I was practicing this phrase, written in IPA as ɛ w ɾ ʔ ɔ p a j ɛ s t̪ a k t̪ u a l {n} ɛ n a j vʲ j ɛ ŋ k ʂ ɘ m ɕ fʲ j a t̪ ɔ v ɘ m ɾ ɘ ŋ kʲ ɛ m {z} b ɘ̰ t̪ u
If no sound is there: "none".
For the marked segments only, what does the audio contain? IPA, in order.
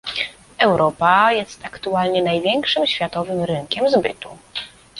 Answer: ɲ, z

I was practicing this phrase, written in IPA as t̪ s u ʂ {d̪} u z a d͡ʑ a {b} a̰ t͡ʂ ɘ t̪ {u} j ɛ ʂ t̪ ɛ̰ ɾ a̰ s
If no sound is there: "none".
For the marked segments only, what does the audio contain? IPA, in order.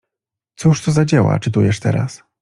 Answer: t̪, w, u

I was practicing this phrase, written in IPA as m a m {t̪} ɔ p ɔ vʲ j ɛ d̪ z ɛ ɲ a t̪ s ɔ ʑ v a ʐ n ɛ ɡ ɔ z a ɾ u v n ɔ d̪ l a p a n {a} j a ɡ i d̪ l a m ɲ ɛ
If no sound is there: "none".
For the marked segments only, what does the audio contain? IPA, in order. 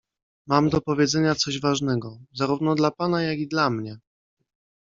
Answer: d̪, a

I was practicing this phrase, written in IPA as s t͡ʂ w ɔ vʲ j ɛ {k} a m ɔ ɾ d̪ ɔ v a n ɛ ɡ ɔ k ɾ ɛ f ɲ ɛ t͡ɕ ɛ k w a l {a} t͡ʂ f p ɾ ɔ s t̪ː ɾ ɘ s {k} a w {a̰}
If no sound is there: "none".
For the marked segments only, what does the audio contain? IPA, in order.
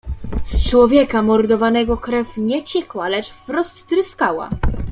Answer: k, ɛ, k, a̰

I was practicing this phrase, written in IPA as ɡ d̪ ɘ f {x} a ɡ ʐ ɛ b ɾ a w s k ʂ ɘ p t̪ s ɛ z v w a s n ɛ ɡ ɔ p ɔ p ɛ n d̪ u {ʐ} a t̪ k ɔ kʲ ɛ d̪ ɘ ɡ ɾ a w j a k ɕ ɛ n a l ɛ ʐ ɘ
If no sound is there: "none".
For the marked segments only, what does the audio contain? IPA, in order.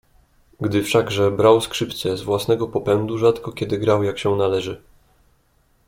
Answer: ʂ, ʐ

